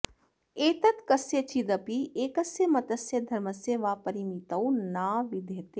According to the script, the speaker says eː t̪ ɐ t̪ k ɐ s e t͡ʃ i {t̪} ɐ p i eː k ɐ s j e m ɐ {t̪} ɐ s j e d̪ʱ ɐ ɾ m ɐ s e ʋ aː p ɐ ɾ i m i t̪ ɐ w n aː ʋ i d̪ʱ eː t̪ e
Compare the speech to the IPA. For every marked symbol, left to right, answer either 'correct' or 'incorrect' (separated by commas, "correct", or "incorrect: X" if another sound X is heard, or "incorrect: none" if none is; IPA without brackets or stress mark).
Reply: incorrect: d̪, correct